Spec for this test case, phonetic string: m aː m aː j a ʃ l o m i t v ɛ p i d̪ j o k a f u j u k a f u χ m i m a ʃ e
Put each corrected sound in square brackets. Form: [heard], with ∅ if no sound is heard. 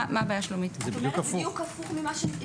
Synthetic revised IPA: m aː [b] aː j a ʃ l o m i t [z] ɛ [b] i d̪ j [u] k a f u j u k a f u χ m i m a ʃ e